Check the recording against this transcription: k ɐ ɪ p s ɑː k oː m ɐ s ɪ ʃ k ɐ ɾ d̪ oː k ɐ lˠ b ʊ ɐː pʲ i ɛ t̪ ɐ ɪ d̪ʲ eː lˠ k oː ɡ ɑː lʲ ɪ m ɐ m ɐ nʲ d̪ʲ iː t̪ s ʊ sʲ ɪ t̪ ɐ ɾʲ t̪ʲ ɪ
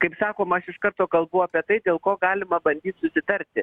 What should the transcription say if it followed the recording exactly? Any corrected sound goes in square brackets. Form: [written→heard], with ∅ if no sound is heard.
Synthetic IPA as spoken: k ɐ ɪ p s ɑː k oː m ɐ [s→ʃ] ɪ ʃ k ɐ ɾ [d̪→t̪] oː k ɐ lˠ b ʊ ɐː pʲ i ɛ t̪ ɐ ɪ d̪ʲ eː lˠ k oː ɡ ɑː lʲ ɪ m ɐ [m→b] ɐ nʲ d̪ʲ iː t̪ s ʊ sʲ ɪ t̪ ɐ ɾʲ t̪ʲ ɪ